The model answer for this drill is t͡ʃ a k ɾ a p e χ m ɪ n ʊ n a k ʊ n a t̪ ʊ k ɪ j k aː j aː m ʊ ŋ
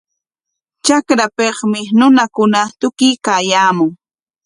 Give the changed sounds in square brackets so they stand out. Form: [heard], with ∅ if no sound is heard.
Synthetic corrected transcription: t͡ʃ a k ɾ a p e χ m ɪ n ʊ n a k ʊ n a t̪ ʊ k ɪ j k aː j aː m ʊ ŋ